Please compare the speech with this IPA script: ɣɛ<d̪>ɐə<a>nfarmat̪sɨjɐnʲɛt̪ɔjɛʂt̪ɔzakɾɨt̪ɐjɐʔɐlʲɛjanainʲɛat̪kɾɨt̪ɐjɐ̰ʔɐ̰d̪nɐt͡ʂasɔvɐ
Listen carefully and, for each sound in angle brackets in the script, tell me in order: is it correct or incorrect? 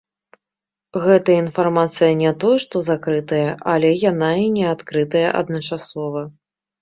incorrect: t̪, incorrect: i

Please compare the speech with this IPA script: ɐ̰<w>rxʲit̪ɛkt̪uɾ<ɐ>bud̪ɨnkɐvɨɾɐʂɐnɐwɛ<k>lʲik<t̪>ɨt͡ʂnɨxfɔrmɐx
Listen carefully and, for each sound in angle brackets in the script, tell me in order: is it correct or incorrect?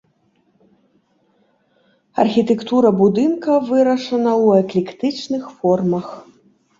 incorrect: none, correct, correct, correct

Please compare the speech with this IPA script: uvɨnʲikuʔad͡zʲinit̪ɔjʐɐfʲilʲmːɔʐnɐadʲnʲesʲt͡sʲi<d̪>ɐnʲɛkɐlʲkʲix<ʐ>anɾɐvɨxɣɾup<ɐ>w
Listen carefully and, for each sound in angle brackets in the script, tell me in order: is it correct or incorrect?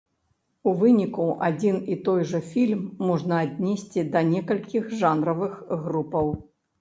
correct, correct, correct

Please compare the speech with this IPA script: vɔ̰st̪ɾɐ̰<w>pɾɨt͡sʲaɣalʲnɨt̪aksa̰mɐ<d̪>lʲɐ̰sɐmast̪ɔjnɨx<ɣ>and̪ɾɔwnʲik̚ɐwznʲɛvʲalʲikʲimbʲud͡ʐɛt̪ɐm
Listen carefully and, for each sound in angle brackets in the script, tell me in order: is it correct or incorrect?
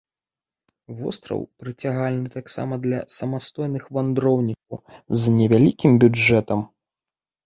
correct, correct, incorrect: v

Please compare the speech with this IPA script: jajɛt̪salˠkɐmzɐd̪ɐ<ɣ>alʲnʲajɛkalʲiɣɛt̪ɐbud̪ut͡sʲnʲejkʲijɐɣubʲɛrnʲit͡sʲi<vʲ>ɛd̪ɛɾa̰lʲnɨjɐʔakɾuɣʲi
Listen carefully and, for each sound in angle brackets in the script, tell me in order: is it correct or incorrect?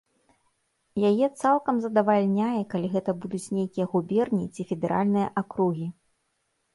incorrect: v, incorrect: fʲ

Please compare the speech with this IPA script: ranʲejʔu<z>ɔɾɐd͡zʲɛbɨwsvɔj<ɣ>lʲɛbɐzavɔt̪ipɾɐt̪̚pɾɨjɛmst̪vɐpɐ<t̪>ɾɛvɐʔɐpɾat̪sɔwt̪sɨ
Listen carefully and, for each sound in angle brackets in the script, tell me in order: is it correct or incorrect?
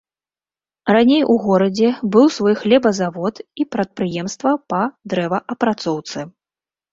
incorrect: ɣ, incorrect: x, incorrect: d̪

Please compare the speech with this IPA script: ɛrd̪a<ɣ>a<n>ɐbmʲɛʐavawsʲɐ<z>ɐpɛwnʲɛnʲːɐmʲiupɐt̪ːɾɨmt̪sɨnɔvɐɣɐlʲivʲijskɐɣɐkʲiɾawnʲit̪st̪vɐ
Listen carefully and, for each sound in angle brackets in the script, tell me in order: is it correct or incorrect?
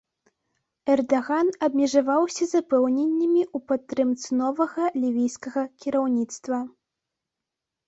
correct, correct, correct

